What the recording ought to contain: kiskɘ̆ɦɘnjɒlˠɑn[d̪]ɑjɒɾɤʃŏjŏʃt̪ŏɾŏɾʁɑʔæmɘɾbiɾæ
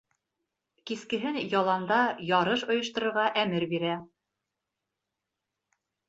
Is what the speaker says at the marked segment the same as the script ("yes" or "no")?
yes